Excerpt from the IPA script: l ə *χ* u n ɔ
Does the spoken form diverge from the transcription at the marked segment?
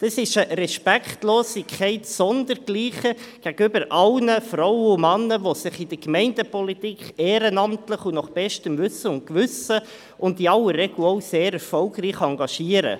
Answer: no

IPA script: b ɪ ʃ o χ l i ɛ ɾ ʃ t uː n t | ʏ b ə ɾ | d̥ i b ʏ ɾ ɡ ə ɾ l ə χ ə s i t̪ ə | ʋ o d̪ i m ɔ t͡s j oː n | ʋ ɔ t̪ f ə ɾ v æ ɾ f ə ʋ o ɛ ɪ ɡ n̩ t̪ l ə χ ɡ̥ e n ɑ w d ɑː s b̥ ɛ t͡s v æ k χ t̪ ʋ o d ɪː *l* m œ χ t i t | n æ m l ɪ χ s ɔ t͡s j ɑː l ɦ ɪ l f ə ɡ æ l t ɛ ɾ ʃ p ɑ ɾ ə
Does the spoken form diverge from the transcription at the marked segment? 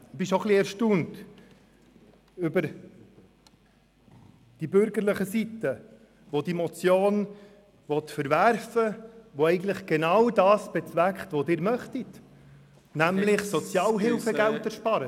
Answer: yes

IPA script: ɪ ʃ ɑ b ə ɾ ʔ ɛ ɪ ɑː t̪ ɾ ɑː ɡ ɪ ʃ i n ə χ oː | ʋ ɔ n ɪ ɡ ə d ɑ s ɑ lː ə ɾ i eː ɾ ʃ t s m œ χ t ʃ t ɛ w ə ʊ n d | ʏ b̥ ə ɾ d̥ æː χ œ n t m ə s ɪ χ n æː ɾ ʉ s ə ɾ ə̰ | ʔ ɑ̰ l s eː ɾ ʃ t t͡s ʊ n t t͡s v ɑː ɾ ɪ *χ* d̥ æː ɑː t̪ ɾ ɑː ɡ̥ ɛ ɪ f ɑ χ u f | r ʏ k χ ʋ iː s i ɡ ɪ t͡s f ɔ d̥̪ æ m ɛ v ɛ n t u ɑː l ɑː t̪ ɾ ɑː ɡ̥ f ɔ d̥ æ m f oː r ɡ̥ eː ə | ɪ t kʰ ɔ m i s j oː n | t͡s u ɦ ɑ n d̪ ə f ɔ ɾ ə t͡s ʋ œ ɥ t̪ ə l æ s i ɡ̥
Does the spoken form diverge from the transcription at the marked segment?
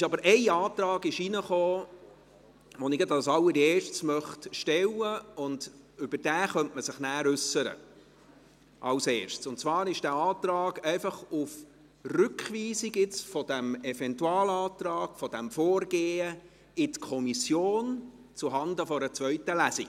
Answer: yes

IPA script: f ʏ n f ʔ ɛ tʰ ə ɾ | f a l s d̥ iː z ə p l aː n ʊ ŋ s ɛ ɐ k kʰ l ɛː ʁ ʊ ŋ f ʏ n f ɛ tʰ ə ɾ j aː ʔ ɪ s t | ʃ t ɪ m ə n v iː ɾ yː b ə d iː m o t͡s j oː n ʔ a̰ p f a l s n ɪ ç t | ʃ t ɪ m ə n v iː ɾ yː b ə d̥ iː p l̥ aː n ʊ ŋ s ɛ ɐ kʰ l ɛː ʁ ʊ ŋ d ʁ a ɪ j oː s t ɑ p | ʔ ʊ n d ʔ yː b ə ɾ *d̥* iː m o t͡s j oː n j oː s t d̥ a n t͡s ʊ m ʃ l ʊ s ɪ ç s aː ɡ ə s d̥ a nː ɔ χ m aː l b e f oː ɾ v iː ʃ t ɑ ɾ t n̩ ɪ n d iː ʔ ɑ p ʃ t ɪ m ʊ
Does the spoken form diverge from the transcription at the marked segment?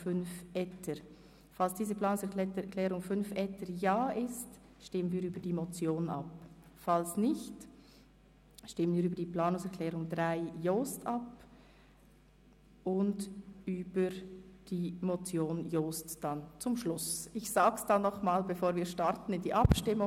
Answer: no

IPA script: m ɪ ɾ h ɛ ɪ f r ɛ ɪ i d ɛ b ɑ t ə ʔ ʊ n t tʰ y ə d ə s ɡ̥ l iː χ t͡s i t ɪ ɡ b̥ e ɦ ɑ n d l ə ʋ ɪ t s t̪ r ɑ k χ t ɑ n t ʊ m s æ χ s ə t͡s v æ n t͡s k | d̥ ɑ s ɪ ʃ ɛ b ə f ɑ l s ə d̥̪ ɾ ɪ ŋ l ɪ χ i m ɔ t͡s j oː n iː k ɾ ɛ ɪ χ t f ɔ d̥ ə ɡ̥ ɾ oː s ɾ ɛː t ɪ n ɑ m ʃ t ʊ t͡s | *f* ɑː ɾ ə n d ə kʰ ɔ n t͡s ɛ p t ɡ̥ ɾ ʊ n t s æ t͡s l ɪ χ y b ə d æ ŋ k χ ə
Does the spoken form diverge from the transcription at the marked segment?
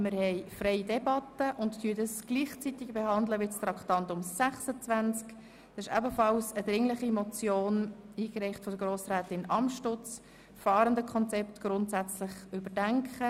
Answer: no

